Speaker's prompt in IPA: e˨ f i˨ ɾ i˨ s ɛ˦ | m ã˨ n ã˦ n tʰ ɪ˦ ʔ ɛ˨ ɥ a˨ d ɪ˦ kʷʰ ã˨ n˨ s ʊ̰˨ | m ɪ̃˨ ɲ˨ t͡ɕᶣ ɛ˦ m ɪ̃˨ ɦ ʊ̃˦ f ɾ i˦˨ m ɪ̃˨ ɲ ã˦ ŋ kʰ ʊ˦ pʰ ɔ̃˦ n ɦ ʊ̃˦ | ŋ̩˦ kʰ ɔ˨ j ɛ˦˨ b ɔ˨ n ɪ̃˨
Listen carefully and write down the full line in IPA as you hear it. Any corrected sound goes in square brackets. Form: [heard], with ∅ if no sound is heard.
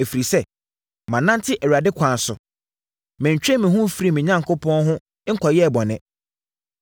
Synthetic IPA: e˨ f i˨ ɾ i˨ s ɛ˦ | m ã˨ n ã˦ n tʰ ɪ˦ ʔ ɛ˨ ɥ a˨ d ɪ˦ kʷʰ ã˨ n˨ s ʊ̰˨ | m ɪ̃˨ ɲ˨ t͡ɕᶣ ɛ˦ m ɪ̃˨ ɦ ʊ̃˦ f ɾ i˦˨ m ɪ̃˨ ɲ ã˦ ŋ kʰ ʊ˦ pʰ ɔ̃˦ n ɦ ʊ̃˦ | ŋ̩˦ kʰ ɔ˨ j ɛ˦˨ b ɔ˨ n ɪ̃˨